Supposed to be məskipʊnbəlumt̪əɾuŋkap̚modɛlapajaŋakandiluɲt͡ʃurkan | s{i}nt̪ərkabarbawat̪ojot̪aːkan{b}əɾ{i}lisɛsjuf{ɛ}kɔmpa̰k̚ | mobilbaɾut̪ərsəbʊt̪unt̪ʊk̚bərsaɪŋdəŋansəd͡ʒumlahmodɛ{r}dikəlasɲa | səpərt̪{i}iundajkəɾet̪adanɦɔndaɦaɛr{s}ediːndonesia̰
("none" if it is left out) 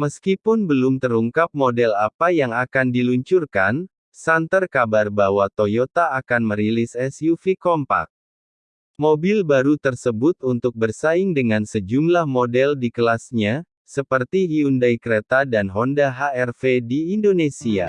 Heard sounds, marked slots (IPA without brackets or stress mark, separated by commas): a, m, i, i, l, i, f